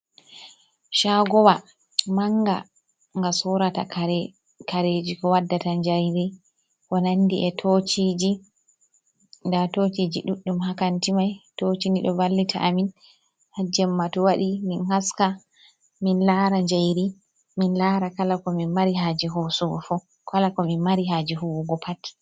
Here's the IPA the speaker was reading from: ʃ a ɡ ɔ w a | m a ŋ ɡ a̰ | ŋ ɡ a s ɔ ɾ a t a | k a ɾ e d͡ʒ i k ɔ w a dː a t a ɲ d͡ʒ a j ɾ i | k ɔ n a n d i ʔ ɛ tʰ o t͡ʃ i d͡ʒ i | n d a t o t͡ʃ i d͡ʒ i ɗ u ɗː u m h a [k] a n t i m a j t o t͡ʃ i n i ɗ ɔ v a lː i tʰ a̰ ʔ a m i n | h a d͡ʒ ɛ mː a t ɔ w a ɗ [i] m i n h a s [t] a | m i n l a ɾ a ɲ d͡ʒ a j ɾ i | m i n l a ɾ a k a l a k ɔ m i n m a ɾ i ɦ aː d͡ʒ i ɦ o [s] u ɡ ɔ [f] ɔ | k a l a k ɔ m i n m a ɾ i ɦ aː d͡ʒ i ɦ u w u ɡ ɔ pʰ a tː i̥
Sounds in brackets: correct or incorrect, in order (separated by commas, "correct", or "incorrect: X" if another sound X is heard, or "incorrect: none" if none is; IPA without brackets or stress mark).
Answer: correct, correct, incorrect: k, correct, correct